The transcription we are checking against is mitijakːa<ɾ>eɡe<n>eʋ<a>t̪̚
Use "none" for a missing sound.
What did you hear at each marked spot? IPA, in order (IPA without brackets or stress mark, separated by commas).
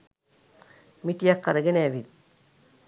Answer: ɾ, n, i